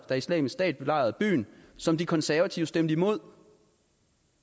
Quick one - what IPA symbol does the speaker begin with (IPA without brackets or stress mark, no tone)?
d̥